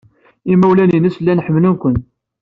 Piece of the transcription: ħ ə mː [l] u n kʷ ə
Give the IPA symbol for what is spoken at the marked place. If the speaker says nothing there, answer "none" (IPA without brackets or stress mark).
l